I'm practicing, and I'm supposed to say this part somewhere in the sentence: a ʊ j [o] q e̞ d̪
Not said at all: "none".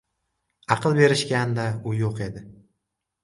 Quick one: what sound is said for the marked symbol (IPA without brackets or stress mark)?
o